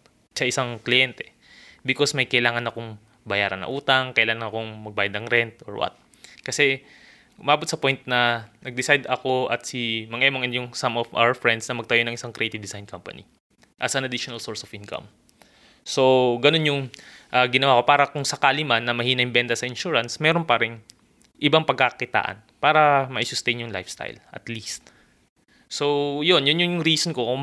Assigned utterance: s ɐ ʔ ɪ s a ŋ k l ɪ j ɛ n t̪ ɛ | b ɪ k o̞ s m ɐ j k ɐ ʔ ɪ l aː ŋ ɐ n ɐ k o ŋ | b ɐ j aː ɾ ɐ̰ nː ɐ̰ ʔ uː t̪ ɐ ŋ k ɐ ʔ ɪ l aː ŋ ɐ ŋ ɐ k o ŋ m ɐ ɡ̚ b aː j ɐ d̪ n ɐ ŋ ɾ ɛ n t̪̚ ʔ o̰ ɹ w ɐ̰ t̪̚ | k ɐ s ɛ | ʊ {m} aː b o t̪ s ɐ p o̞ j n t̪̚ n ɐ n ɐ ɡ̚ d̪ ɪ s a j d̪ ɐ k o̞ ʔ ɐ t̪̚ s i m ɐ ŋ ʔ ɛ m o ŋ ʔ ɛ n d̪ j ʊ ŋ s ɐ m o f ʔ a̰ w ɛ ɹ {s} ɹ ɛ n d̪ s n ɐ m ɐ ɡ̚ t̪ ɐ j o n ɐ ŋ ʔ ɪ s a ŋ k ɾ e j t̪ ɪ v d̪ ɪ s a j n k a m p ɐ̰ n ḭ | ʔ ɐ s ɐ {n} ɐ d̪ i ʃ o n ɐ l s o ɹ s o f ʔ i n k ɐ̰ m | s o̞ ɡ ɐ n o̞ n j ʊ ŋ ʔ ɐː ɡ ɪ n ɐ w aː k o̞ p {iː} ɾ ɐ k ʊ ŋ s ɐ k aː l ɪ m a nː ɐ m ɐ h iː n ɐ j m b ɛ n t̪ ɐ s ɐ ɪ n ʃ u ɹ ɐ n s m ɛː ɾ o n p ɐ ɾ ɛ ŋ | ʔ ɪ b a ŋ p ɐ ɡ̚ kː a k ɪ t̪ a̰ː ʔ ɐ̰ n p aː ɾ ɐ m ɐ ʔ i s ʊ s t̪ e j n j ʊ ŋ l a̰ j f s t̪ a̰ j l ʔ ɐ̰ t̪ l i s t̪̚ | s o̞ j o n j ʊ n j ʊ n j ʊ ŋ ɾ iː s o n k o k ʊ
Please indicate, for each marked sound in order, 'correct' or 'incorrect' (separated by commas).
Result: correct, incorrect, correct, incorrect